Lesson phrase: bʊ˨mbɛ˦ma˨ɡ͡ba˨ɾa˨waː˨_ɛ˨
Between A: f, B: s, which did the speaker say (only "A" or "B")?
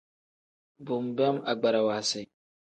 B